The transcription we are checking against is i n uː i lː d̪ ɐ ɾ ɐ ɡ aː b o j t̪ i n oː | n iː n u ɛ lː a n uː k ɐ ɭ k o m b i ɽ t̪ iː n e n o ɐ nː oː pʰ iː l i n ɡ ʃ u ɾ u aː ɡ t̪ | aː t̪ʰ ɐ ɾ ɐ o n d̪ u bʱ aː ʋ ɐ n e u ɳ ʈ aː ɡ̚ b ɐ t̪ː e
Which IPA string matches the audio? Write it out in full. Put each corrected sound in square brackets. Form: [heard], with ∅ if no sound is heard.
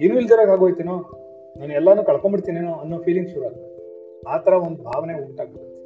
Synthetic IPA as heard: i n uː i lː d̪ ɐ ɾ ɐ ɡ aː [ɡ] o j t̪ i n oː | n [aː] n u ɛ lː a n uː k ɐ ɭ k o m b i ɽ t̪ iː n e n o ɐ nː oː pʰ iː l i [ŋ] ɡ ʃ u ɾ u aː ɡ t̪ | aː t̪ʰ ɐ ɾ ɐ o n d̪ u bʱ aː ʋ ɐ n e u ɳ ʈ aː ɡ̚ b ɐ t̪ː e